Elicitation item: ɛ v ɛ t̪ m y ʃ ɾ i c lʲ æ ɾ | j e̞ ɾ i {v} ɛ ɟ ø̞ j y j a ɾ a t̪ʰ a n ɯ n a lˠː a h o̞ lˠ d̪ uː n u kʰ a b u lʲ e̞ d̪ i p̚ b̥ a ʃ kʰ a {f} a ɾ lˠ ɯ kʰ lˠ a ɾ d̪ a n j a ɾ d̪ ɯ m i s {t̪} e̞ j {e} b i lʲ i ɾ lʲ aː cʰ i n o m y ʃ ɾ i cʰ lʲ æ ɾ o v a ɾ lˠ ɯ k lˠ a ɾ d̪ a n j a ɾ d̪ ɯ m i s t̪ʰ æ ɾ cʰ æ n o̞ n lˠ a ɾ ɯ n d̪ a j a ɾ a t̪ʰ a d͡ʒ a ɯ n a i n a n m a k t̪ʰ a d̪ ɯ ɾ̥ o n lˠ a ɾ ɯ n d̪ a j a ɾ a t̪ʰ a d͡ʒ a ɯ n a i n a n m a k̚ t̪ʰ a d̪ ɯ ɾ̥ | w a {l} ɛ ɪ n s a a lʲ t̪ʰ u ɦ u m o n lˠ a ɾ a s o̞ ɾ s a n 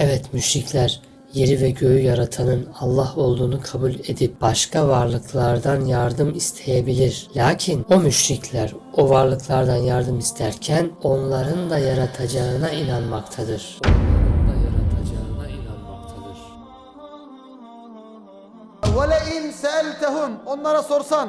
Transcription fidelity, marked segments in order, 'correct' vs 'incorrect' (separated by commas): correct, incorrect, incorrect, correct, correct